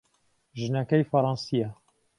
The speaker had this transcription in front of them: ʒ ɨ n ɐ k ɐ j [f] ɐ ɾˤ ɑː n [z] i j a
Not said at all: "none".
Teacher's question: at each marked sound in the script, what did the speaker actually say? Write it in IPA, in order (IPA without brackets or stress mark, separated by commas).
f, s